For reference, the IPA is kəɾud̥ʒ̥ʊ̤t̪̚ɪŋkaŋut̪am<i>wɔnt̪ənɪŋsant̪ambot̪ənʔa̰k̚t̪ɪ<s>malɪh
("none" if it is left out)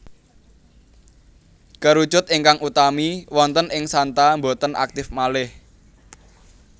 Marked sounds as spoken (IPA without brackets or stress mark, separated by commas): i, f